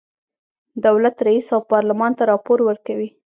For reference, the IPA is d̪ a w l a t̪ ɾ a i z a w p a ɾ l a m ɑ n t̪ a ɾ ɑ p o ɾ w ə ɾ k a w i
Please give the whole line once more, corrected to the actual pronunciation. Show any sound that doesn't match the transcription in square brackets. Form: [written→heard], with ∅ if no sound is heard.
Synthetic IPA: d̪ a w l a t̪ ɾ a i [z→s] a w p [a→ɑ] ɾ l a m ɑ n t̪ a ɾ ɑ p o ɾ w ə ɾ k a w i